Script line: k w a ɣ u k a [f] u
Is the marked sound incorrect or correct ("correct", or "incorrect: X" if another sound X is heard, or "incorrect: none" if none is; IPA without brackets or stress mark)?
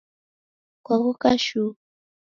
incorrect: ʃ